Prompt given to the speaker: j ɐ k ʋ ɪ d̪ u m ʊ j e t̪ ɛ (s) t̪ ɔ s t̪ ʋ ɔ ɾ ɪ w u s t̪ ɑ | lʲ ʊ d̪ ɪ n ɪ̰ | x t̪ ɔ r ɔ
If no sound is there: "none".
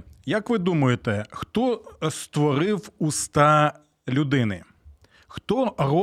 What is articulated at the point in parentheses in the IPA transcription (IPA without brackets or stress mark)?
x